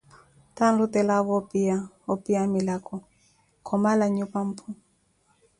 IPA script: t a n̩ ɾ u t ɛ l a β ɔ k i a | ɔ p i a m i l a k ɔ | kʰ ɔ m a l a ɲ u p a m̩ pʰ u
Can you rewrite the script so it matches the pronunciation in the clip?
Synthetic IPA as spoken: t a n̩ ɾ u t ɛ l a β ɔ p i a | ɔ p i a m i l a k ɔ | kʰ ɔ m a l a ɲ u p a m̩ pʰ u

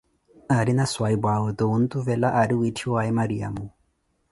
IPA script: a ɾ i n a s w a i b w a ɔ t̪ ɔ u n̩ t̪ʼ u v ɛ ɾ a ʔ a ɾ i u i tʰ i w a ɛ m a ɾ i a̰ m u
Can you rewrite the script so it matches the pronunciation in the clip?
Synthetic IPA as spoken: a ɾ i n a s w a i b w a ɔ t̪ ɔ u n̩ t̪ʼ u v ɛ l a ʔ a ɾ i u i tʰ i w a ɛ m a ɾ i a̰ m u

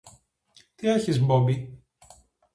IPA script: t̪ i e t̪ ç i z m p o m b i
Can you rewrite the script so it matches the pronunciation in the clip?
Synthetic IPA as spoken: t̪ i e ç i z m b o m b i

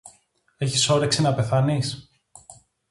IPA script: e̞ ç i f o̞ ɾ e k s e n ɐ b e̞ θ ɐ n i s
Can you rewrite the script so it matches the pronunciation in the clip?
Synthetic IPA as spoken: e̞ ç i s o̞ ɾ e k s i n ɐ p e̞ θ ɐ n i s

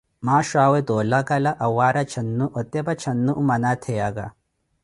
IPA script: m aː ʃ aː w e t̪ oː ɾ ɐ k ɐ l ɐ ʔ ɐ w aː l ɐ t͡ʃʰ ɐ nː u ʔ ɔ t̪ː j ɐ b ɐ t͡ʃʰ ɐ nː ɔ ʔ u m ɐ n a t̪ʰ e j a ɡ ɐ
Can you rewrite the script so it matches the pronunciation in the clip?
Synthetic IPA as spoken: m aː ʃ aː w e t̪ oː l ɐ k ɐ l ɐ ʔ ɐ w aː ɾ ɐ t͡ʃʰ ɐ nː u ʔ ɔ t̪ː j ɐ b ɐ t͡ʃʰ ɐ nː u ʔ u m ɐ n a t̪ʰ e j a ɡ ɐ

